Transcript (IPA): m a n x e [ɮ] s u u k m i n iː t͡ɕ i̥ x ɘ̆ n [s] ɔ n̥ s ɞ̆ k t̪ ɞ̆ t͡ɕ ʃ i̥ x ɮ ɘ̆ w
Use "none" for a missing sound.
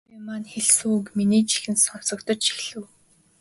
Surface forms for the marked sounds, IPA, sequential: ɮ, s

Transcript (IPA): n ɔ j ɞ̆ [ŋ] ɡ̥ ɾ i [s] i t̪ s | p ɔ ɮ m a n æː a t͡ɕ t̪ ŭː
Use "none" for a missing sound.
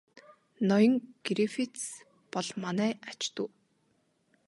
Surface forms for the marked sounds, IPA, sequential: ŋ, f

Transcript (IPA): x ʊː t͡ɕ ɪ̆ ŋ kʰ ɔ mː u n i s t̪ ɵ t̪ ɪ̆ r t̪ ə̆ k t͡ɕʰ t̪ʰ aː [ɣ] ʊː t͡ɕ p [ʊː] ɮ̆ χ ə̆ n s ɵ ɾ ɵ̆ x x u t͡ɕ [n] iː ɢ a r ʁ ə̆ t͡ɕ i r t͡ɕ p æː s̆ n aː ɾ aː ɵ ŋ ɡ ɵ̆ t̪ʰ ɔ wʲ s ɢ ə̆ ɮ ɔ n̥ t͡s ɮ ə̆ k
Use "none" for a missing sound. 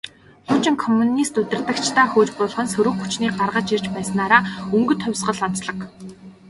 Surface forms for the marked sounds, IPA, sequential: x, ʊː, n

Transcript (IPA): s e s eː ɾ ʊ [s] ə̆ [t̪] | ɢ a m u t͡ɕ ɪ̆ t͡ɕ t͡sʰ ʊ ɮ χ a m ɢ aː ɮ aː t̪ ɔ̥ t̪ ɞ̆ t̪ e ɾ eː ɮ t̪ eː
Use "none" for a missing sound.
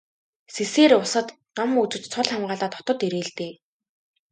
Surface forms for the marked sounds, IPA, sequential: s, t̪

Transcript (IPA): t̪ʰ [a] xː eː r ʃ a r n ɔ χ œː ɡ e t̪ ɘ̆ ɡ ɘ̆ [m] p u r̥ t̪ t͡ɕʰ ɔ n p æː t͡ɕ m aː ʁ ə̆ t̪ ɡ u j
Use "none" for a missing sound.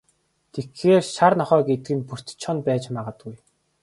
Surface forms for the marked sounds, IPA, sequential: e, n

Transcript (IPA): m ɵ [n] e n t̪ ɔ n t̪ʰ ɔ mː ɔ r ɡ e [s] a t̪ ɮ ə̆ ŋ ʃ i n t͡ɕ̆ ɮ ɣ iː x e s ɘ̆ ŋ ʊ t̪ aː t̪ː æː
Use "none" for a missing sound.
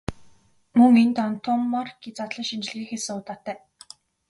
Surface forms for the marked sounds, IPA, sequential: ŋ, t͡s

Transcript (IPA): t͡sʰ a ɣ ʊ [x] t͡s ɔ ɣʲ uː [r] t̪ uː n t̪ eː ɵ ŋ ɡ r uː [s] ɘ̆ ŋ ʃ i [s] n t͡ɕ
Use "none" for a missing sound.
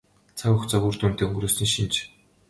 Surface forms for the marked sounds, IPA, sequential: x, r, s, none

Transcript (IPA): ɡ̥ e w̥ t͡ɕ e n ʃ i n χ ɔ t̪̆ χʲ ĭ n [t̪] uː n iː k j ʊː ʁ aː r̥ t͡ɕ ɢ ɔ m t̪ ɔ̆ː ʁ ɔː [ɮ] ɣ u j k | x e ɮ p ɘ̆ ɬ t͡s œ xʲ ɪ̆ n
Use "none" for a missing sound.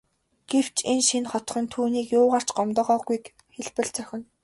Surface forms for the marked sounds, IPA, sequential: t̪ʰ, none

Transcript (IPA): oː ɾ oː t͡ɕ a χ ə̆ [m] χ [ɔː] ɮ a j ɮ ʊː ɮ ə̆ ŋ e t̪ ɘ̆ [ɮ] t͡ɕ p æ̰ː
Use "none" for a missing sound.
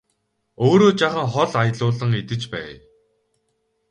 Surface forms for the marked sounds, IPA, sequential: ŋ, ɔ, none

